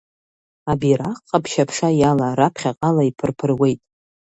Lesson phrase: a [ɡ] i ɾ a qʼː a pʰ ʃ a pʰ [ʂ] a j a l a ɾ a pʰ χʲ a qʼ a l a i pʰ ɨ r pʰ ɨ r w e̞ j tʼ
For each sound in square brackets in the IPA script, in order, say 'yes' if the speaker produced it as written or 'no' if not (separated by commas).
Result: no, yes